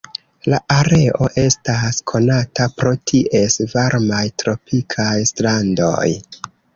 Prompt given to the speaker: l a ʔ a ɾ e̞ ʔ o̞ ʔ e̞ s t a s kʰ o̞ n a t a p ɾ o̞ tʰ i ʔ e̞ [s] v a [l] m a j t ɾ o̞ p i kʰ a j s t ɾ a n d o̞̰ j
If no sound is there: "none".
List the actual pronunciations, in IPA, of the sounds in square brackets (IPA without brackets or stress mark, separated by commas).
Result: s, ɾ